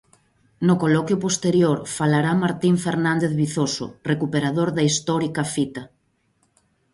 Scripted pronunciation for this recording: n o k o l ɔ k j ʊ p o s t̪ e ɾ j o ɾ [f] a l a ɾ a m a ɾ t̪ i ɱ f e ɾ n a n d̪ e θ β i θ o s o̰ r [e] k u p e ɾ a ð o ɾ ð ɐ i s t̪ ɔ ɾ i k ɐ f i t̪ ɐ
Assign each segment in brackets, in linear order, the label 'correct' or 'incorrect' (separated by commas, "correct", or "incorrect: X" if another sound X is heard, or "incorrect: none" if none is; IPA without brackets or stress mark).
correct, correct